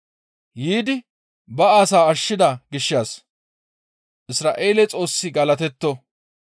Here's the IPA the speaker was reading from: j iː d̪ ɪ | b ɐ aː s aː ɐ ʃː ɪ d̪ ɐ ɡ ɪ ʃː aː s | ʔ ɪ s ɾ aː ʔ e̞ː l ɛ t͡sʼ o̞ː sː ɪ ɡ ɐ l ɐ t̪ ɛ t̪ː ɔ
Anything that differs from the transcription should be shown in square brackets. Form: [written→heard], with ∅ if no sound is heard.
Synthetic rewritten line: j iː d̪ ɪ | b ɐ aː s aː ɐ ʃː ɪ d̪ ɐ ɡ ɪ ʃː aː s | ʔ ɪ s ɾ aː ʔ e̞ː l ɛ t͡sʼ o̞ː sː ɪ ɡ ɐ l ɐ t̪ ɛ t̪ː ɔ